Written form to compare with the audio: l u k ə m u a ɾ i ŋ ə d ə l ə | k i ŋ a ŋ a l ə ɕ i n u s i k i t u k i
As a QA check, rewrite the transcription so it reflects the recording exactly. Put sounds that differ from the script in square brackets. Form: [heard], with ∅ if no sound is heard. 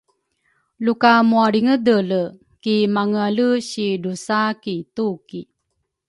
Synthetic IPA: l u k [a] m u a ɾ i ŋ ə d ə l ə | k i [m] a ŋ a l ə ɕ i [d] u s [a] k i t u k i

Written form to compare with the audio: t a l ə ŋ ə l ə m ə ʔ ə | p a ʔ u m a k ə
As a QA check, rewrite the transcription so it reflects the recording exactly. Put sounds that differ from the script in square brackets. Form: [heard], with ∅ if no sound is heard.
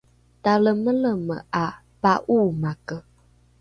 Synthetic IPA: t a l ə [m] ə l ə m ə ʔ [a] | p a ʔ u m a k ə

